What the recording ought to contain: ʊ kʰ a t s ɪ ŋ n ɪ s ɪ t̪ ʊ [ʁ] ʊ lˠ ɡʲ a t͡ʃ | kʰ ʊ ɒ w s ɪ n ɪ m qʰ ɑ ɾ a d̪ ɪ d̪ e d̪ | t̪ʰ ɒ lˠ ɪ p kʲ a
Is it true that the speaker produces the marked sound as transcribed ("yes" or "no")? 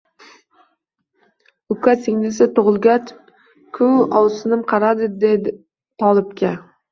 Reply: yes